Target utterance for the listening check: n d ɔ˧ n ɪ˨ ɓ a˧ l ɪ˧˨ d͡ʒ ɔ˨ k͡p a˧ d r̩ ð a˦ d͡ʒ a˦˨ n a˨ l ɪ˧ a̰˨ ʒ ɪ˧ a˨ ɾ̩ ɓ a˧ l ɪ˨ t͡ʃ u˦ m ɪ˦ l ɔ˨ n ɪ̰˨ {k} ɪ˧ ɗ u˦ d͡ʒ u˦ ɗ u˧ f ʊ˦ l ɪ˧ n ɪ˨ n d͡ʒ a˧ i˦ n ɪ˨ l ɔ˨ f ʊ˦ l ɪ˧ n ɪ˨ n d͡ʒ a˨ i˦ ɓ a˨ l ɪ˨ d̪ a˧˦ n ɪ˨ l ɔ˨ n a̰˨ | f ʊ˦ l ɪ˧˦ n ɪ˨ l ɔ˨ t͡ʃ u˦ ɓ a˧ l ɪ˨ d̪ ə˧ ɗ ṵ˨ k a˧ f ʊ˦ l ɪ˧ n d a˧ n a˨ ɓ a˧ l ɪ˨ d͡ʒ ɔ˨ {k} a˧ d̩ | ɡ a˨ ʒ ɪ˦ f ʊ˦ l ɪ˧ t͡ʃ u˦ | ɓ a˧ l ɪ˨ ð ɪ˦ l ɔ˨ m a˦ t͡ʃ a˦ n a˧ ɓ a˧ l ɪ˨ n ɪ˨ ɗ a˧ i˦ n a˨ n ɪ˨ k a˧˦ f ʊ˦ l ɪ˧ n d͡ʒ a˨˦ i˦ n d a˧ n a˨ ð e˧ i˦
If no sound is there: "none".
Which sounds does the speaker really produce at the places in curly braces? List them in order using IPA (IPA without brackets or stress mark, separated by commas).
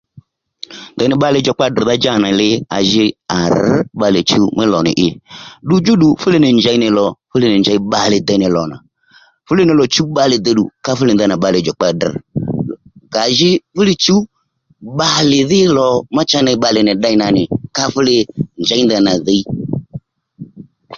ʔ, k͡p